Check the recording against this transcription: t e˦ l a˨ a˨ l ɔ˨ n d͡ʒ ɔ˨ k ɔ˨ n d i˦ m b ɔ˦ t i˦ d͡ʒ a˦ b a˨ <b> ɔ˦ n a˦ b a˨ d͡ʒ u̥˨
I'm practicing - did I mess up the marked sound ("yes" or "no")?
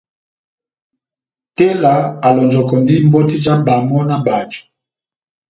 yes